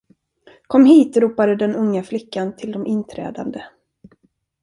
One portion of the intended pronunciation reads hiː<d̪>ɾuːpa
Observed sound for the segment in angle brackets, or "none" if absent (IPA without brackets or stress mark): t̪